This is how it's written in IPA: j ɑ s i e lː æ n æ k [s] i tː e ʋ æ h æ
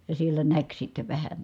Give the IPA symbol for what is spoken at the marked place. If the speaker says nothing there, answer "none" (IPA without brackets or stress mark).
s